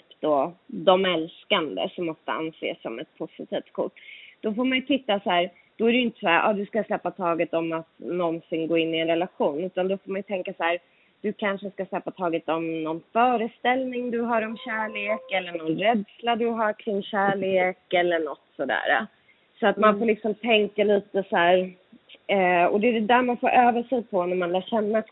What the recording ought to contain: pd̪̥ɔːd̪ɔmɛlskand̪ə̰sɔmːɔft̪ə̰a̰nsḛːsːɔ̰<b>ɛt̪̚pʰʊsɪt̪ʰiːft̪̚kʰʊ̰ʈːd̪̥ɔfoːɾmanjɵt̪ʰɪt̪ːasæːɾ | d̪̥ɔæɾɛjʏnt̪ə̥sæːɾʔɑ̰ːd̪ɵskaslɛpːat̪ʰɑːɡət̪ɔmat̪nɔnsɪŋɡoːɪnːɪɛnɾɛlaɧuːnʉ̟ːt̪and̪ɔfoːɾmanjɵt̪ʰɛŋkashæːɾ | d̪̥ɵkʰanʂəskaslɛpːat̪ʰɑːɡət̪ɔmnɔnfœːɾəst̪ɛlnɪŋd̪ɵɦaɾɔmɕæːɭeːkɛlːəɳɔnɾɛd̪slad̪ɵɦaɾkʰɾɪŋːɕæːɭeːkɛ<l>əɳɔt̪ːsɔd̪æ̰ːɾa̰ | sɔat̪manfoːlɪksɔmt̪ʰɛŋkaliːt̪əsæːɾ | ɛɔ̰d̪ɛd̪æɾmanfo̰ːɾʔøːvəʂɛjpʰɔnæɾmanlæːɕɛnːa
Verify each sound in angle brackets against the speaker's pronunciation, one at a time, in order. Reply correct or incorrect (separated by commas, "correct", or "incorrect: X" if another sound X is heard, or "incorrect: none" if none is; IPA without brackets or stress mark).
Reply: incorrect: m, incorrect: lː